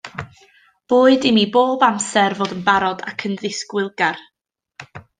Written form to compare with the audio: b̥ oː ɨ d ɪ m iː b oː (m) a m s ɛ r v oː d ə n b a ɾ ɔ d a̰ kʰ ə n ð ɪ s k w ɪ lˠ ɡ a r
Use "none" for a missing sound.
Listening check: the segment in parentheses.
b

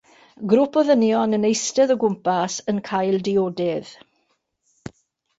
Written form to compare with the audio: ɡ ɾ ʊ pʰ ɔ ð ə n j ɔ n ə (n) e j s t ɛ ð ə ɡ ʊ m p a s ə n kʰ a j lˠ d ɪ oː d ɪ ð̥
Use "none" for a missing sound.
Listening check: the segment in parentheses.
n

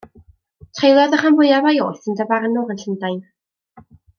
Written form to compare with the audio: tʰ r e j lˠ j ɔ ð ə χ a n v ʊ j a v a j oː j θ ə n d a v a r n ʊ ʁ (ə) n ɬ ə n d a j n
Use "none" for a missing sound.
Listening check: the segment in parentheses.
ə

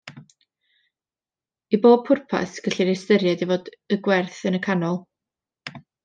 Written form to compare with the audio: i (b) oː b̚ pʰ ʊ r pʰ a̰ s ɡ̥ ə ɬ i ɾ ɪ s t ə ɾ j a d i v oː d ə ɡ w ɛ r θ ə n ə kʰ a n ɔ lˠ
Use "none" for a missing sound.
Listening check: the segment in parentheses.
b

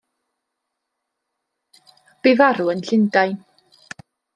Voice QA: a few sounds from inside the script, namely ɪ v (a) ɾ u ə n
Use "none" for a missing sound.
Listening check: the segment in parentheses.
a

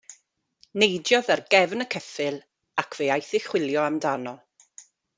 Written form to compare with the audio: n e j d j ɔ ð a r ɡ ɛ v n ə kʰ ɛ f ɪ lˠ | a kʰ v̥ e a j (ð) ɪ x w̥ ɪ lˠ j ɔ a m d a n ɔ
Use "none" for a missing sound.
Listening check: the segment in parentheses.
θ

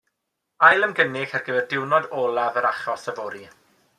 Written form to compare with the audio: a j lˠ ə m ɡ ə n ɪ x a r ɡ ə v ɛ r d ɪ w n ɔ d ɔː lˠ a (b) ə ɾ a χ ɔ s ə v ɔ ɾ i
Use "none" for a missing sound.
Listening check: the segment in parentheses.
v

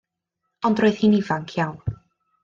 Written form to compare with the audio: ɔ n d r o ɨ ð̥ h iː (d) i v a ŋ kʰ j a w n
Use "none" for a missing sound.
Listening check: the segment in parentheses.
n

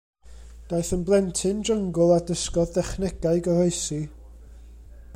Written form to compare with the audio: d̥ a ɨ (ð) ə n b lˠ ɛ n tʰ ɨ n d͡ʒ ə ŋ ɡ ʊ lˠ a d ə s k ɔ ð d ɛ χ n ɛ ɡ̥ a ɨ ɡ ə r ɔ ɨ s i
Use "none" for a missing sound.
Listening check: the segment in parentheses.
θ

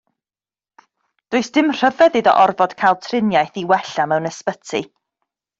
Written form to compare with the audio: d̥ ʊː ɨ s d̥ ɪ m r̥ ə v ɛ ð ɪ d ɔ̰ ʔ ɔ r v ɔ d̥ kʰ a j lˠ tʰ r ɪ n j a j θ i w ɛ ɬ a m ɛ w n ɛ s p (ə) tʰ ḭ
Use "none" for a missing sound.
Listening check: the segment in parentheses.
ə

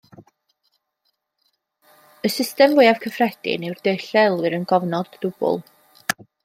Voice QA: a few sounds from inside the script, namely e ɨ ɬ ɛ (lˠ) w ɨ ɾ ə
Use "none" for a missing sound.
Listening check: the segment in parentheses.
lˠ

